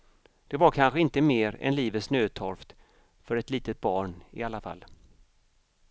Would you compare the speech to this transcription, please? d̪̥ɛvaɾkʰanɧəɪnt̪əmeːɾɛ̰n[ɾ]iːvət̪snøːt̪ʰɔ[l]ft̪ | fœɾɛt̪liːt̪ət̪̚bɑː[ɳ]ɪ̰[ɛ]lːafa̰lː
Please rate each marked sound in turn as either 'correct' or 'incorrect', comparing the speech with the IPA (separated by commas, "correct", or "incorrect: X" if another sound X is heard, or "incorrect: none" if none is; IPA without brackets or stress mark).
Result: incorrect: l, incorrect: ɾ, correct, incorrect: a